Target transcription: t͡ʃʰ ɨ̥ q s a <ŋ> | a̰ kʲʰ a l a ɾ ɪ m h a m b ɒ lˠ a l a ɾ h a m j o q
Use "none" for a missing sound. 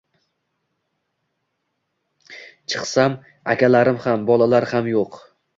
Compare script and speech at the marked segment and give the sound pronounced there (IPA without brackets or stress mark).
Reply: m